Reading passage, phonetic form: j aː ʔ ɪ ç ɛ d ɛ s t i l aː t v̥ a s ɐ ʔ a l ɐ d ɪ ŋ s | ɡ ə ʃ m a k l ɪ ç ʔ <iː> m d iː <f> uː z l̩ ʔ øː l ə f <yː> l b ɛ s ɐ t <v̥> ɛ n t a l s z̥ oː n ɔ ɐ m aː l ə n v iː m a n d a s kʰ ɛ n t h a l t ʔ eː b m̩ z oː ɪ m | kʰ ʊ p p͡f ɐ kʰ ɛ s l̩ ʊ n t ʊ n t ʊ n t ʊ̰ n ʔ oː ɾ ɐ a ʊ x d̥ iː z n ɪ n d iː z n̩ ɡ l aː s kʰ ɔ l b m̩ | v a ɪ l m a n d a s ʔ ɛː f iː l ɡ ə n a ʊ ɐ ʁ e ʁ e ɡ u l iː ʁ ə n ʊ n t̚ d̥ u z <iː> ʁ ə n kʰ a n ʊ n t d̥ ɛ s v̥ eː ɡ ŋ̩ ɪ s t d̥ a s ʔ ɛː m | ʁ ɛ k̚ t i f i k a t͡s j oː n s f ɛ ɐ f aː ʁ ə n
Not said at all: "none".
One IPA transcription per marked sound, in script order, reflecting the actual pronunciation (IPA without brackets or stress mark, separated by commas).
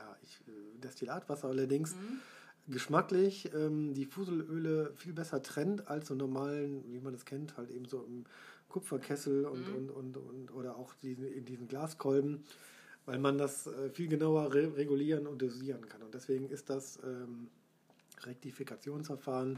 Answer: ɛː, f, iː, ʁ̥, iː